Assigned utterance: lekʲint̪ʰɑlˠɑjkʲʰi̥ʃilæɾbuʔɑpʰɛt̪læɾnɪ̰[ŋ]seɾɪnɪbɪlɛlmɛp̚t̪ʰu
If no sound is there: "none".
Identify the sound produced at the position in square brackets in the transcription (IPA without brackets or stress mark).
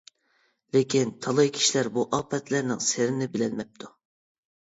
ŋ